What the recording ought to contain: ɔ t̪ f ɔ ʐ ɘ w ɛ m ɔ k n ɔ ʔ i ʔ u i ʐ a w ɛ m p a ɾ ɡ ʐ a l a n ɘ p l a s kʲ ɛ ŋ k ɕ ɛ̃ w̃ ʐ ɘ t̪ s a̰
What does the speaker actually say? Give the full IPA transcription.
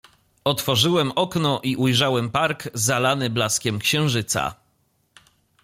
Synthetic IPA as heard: ɔ t̪ f ɔ ʐ ɘ w ɛ m ɔ k n ɔ ʔ i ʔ u j ʐ a w ɛ m p a ɾ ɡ z a l a n ɘ b l a s kʲ ɛ m k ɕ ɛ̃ w̃ ʐ ɘ t̪ s a̰